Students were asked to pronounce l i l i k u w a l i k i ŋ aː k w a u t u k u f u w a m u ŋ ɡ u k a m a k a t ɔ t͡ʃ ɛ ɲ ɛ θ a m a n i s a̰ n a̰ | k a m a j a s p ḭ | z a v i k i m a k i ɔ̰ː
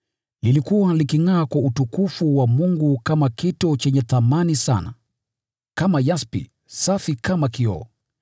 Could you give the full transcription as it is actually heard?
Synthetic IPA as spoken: l i l i k u w a l i k i ŋ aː k w a u t u k u f u w a m u ŋ ɡ u k a m a k i t ɔ t͡ʃ ɛ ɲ ɛ θ a m a n i s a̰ n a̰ | k a m a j a s p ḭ | s a f i k a m a k i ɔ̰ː